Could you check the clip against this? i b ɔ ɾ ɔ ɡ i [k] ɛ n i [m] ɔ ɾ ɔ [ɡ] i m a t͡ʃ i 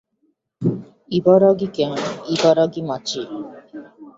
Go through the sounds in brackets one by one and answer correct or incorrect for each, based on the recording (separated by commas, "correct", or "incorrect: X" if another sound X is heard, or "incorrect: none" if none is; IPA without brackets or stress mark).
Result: correct, incorrect: b, correct